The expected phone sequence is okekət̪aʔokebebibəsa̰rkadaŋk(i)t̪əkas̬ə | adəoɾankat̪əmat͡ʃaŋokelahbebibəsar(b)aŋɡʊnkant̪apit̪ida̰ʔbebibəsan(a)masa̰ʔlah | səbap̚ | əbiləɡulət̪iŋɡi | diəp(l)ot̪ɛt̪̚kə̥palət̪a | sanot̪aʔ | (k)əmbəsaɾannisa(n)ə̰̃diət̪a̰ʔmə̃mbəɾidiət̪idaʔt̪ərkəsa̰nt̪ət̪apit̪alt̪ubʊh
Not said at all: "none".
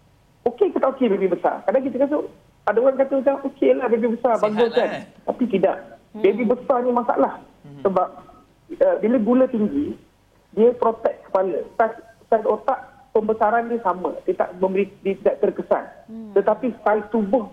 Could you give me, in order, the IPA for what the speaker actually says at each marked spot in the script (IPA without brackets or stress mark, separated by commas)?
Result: i, b, i, ɾ, p, m